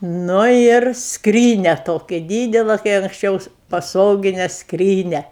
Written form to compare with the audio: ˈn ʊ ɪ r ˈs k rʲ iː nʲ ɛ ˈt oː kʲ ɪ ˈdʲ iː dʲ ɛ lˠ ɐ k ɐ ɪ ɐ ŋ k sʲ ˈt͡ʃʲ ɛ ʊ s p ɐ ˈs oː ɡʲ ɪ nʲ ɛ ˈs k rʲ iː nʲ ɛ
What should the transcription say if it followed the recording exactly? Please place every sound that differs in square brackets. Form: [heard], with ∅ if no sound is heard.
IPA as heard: ˈn ʊ ɪ r ˈs k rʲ iː nʲ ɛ ˈt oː kʲ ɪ ˈdʲ iː dʲ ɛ lˠ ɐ k ɐ ɪ ɐ ŋ k sʲ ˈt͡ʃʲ ɛ ʊ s p ɐ ˈs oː ɡʲ ɪ nʲ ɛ ˈs k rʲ iː nʲ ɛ